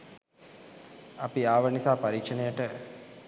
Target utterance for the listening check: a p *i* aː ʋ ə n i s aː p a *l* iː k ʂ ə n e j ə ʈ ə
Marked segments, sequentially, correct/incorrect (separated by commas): correct, incorrect